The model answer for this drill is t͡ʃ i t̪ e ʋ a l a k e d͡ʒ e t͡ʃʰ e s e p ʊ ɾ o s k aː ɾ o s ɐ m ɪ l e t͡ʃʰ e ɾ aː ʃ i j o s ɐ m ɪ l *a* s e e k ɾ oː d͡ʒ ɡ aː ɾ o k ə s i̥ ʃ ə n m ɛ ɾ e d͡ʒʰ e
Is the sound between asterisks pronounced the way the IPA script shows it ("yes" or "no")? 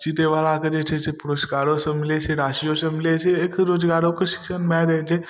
no